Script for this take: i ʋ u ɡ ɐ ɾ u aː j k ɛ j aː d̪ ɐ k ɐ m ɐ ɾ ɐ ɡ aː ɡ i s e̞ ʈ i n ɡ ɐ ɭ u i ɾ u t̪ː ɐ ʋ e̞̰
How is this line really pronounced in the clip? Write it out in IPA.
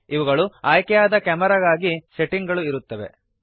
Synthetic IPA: i ʋ u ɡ ɐ ɭ u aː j k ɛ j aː d̪ ɐ k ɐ m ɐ ɾ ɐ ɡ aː ɡ i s e̞ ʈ i ŋ ɡ ɐ ɭ u i ɾ u t̪ː ɐ ʋ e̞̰